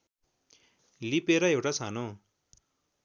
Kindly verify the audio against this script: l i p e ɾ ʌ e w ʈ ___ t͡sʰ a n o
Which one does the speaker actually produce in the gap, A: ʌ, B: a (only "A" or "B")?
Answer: B